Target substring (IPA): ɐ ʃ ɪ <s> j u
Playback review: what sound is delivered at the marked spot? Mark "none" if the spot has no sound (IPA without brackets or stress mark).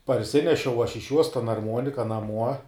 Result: ʃ